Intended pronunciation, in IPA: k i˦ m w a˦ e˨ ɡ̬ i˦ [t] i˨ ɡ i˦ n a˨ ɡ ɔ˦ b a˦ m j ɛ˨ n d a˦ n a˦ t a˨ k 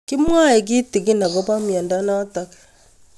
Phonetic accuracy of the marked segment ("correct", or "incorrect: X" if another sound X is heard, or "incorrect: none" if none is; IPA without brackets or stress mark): correct